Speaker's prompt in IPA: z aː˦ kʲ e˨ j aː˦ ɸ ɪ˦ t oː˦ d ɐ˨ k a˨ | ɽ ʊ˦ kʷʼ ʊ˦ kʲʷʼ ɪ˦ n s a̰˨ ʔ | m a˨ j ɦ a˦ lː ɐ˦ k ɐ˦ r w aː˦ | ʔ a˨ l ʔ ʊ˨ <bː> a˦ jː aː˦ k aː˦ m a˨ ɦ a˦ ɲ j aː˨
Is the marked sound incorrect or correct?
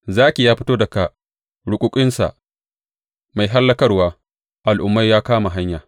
incorrect